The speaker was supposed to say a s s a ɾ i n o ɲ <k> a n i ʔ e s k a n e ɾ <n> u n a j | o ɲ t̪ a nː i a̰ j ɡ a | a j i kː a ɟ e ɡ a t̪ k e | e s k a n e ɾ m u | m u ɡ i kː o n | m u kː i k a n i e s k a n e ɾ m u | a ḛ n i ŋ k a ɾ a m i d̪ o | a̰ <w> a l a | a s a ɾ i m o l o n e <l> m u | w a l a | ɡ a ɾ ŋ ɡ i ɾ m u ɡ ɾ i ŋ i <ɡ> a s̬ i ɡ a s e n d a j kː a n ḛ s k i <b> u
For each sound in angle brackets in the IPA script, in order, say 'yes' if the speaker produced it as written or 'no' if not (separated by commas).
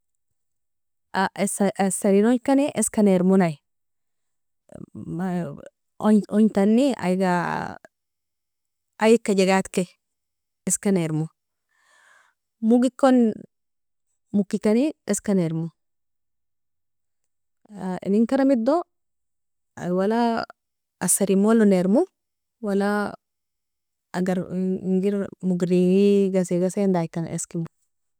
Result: yes, no, yes, no, yes, no